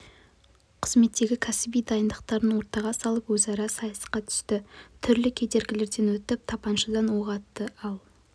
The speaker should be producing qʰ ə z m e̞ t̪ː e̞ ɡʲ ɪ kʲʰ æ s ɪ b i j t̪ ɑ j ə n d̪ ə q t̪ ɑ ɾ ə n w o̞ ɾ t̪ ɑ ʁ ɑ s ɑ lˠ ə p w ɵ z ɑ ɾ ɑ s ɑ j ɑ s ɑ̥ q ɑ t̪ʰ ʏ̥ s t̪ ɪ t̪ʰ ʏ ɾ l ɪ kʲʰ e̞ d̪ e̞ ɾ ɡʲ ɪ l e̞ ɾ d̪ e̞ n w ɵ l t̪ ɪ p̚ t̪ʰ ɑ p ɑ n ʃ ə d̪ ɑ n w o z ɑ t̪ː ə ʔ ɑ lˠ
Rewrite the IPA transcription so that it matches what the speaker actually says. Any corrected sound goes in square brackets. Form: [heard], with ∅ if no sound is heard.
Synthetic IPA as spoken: qʰ ə z m e̞ t̪ː e̞ ɡʲ ɪ kʲʰ æ s ɪ b i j [d̪] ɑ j ə n d̪ ə q t̪ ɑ ɾ ə n w o̞ ɾ t̪ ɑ ʁ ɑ s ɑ lˠ ə p w ɵ z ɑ ɾ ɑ s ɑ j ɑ s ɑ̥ q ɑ t̪ʰ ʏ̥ s t̪ ɪ t̪ʰ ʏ ɾ l ɪ kʲʰ e̞ d̪ e̞ ɾ ɡʲ ɪ l e̞ ɾ d̪ e̞ n w ɵ [∅] t̪ ɪ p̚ t̪ʰ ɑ p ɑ n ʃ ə d̪ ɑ n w o [ʁ] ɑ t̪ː ə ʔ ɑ lˠ